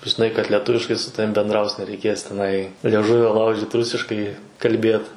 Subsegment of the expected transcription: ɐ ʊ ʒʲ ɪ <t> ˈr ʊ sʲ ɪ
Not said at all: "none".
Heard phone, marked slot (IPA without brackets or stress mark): t